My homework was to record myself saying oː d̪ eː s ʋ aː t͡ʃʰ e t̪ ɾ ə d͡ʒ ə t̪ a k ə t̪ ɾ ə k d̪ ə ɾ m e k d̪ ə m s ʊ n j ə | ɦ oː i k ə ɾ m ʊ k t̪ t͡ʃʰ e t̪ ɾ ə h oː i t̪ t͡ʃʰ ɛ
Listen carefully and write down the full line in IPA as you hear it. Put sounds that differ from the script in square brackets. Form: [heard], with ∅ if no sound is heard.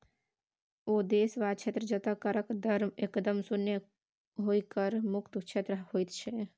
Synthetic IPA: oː d̪ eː s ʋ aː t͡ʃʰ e t̪ ɾ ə d͡ʒ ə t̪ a k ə [∅] ɾ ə k d̪ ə ɾ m e k d̪ ə m s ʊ n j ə | ɦ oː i k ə ɾ m ʊ k t̪ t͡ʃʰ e t̪ ɾ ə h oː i t̪ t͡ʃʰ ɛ